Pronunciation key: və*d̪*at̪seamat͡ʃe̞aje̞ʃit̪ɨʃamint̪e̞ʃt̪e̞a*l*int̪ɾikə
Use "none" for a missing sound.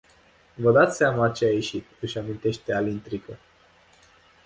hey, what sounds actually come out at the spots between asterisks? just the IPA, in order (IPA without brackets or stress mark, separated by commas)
d̪, l